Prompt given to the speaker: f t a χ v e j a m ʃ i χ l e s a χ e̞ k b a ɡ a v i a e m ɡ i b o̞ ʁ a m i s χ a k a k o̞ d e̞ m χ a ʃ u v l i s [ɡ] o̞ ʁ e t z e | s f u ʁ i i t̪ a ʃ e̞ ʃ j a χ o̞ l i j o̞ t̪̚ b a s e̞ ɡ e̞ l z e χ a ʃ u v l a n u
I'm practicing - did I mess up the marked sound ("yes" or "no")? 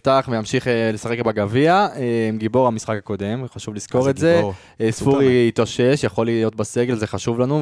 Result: yes